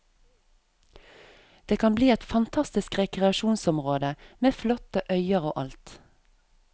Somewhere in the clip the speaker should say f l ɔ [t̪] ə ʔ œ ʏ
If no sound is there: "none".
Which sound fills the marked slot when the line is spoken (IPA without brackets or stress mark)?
t̪